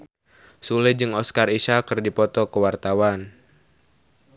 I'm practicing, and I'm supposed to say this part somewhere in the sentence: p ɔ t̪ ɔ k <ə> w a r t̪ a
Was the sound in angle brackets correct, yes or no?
yes